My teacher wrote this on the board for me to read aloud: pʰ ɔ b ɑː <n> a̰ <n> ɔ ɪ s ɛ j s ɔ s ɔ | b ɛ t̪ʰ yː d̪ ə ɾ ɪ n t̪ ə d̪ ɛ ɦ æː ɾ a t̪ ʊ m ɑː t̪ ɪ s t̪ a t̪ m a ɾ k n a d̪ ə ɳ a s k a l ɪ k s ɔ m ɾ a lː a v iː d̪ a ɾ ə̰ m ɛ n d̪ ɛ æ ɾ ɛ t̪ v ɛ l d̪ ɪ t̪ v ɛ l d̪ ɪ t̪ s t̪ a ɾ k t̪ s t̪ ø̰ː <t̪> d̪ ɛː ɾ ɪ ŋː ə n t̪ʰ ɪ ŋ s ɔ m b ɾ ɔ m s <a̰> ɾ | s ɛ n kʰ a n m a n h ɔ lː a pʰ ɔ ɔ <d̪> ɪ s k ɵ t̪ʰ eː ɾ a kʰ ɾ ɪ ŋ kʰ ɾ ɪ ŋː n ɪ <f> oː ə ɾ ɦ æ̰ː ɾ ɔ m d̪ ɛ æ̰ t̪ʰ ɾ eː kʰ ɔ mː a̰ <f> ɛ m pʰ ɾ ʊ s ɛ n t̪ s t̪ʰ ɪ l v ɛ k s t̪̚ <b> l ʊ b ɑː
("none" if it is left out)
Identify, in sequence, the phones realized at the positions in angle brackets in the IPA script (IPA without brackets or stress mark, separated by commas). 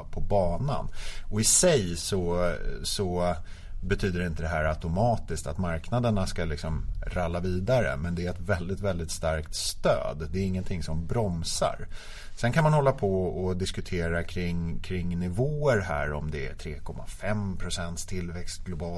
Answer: n, n, d̪, a̰, d̪, v, f, ɡ